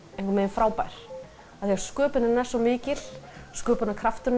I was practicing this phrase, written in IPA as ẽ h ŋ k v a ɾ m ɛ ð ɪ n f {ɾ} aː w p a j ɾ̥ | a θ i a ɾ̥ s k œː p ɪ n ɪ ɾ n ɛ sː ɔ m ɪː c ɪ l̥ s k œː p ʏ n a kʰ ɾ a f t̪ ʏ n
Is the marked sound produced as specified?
yes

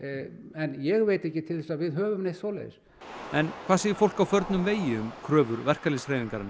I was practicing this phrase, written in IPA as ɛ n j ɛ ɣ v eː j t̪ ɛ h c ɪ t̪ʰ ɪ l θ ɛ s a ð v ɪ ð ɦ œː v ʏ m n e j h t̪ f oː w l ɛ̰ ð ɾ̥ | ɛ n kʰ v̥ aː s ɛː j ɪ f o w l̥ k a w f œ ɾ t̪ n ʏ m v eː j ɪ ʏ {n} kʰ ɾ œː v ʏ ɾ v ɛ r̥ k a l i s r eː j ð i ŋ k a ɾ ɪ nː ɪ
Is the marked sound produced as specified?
no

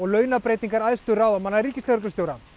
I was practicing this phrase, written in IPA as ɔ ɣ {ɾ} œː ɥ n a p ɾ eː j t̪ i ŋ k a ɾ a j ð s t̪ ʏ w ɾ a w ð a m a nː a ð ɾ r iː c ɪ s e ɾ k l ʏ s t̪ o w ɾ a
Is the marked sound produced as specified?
no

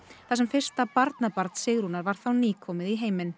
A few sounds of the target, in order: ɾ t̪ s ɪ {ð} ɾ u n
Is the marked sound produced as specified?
no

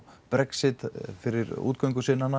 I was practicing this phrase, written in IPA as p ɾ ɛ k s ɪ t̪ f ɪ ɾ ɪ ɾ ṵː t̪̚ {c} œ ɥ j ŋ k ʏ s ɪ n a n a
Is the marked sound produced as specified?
no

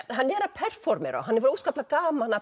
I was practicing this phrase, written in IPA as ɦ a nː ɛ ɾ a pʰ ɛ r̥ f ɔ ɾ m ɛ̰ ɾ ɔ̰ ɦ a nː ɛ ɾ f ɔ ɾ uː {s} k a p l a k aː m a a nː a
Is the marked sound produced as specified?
yes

